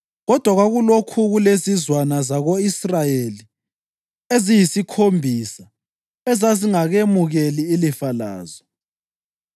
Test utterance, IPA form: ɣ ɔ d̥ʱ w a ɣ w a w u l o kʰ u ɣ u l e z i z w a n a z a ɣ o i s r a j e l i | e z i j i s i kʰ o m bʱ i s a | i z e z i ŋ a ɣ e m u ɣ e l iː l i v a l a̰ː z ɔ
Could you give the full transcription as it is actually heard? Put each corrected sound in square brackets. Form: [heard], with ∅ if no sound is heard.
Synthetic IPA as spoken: ɣ ɔ d̥ʱ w a ɣ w a [ɣ] u l o kʰ u ɣ u l e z i z w a n a z a ɣ o i s r a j e l i | e z i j i s i kʰ o m bʱ i s a | [ɛ] z [a] z i ŋ a ɣ e m u ɣ e l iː l i [f] a l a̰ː z ɔ

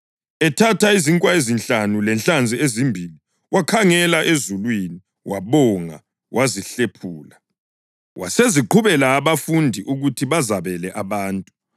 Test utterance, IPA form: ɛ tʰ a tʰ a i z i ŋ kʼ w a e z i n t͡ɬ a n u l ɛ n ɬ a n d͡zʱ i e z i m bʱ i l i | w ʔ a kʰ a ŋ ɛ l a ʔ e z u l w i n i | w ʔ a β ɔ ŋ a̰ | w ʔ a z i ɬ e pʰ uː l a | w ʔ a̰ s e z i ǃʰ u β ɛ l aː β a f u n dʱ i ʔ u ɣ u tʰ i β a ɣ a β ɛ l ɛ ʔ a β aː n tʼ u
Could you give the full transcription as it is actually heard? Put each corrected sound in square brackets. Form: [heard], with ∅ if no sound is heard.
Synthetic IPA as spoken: ɛ tʰ a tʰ a i z i ŋ kʼ w a e z i n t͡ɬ a n u l ɛ n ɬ a n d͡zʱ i e z i m bʱ i l i | w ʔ a kʰ a ŋ ɛ l a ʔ e z u l w i n i | w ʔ a β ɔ ŋ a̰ | w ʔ a z i ɬ e pʰ uː l a | w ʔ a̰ s e z i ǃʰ u β ɛ l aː β a f u n dʱ i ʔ u ɣ u tʰ i β a [z] a β ɛ l ɛ ʔ a β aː n tʼ u

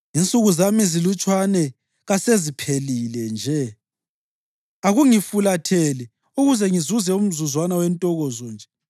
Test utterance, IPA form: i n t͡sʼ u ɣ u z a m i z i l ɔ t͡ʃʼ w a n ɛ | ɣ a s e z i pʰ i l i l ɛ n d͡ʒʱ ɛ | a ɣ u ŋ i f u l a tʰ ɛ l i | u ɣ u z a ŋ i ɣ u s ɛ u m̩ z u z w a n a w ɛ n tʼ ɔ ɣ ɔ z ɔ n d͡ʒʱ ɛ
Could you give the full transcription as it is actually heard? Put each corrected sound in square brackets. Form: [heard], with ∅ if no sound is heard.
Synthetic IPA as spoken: i n t͡sʼ u ɣ u z a m i z i l [u] t͡ʃʼ w a n ɛ | ɣ a s e z i pʰ [e] l i l ɛ n d͡ʒʱ ɛ | a ɣ u ŋ i f u l a tʰ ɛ l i | u ɣ u z [ɛ] ŋ i [z] u [z] ɛ u m̩ z u z w a n a w ɛ n tʼ ɔ ɣ ɔ z ɔ n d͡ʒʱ ɛ

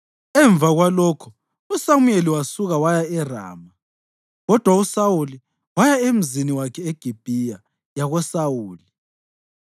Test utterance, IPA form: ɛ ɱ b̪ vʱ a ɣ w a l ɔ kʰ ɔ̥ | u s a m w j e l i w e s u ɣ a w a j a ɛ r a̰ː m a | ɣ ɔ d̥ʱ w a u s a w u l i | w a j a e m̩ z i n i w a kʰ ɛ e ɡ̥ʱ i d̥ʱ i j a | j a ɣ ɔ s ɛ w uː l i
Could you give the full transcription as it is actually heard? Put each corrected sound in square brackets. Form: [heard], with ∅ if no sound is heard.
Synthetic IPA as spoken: ɛ ɱ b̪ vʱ a ɣ w a l ɔ kʰ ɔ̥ | u s a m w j e l i w [a] s u ɣ a w a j a ɛ r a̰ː m a | ɣ ɔ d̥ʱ w a u s a w u l i | w a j a e m̩ z i n i w a kʰ ɛ e ɡ̥ʱ i [b̥ʱ] i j a | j a ɣ ɔ s [a] w uː l i

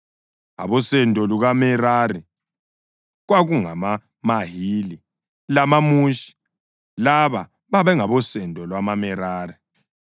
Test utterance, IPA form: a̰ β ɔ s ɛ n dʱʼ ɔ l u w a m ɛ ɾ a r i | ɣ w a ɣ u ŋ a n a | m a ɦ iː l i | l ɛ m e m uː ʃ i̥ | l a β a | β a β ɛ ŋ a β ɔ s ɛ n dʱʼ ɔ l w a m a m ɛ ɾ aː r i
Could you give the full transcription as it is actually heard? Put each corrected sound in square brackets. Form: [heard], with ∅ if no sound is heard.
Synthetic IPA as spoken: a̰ β ɔ s ɛ n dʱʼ ɔ l u [ɣ] a m ɛ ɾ a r i | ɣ w a ɣ u ŋ a [m] a | m a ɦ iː l i | l [a] m [a] m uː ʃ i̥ | l a β a | β a β ɛ ŋ a β ɔ s ɛ n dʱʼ ɔ l w a m a m ɛ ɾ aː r i

